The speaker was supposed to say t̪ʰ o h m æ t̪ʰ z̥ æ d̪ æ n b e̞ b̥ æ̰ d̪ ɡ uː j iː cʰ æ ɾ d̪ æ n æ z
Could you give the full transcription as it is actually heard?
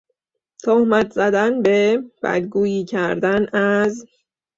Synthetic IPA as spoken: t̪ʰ o h m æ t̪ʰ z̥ æ d̪ æ n b e̞ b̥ æ̰ d̪ ɡ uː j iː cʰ æ ɾ d̪ æ n æ z

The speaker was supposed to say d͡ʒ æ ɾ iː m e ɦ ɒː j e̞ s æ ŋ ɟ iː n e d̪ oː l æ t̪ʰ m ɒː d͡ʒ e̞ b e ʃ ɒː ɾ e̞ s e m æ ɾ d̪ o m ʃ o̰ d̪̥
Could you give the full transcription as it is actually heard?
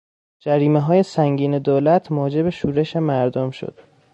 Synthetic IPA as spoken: d͡ʒ æ ɾ iː m e ɦ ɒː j e̞ s æ ŋ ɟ iː n e d̪ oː l æ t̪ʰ m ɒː d͡ʒ e̞ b e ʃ uː ɾ e̞ ʃ e m æ ɾ d̪ o m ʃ o̰ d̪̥

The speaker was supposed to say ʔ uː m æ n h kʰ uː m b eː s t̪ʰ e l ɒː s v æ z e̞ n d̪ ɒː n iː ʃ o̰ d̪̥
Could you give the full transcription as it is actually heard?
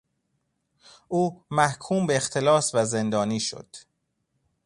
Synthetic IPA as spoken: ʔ uː m æ h kʰ uː m b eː x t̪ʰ e l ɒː s v æ z e̞ n d̪ ɒː n iː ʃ o̰ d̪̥

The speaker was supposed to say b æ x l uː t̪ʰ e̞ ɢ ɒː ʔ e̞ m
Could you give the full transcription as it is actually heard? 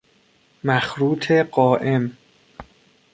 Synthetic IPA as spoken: m æ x ɾ uː t̪ʰ e̞ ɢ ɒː ʔ e̞ m

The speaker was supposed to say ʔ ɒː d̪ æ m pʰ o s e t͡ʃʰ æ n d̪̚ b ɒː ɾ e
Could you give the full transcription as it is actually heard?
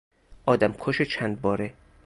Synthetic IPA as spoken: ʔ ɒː d̪ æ m kʰ o ʃ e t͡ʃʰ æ n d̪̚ b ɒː ɾ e

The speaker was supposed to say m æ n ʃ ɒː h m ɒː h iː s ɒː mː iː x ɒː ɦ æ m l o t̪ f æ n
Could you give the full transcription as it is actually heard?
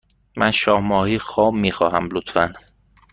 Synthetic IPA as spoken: m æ n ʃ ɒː h m ɒː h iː x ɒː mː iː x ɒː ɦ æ m l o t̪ f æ n

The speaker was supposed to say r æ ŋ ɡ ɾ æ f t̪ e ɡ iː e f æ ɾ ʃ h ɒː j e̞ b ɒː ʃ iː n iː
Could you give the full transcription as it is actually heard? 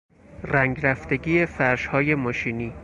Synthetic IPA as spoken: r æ ŋ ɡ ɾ æ f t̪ e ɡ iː e f æ ɾ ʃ h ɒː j e̞ m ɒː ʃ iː n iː

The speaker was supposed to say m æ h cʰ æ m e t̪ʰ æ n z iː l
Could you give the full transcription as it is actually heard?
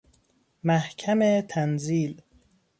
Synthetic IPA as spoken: m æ h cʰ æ m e t̪ʰ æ n z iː l

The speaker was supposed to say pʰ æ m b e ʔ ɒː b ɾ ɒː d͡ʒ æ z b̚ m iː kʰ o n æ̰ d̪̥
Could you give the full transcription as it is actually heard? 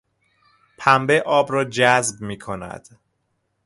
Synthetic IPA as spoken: pʰ æ m b e ʔ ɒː b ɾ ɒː d͡ʒ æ z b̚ m iː kʰ o n æ̰ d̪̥

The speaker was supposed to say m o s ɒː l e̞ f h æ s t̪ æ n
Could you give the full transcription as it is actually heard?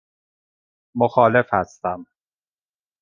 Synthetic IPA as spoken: m o x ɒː l e̞ f h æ s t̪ æ m

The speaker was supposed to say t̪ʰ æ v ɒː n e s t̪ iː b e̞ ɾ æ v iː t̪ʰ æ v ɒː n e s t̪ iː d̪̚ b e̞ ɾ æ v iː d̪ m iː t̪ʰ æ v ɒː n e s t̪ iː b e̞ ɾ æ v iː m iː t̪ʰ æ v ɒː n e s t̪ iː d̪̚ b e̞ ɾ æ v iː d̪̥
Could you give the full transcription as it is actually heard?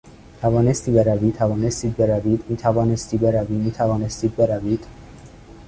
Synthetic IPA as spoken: t̪ʰ æ v ɒː n e s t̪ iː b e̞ ɾ æ v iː t̪ʰ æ v ɒː n e s t̪ iː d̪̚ b e̞ ɾ æ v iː d̪ m iː t̪ʰ æ v ɒː n e s t̪ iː b e̞ ɾ æ v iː m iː t̪ʰ æ v ɒː n e s t̪ iː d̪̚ b e̞ ɾ æ v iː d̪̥

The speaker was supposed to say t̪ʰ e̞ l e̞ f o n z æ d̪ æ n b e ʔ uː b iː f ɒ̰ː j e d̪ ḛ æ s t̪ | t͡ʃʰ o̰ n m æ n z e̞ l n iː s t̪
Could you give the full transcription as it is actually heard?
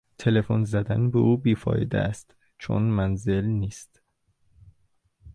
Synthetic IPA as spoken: t̪ʰ e̞ l e̞ f o n z æ d̪ æ n b e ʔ uː b iː f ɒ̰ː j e d̪ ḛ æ s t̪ | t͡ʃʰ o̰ n m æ n z e̞ l n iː s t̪

